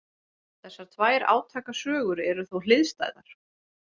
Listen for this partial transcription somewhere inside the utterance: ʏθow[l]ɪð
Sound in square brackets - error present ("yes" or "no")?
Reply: no